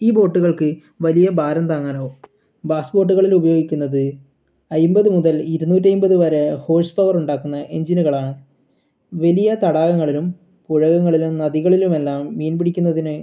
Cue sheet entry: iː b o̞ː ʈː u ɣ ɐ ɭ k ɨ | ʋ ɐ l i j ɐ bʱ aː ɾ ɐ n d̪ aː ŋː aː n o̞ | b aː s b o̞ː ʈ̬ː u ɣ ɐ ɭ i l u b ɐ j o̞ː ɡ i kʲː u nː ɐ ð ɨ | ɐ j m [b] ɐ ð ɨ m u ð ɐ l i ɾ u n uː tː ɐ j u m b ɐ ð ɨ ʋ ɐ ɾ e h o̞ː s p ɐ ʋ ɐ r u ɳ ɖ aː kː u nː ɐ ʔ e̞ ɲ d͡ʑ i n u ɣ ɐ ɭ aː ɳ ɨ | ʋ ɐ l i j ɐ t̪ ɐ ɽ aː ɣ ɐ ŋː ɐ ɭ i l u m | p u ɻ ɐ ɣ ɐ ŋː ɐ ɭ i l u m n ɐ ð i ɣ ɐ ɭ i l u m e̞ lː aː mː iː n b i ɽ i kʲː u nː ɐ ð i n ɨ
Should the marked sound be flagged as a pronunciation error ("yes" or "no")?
no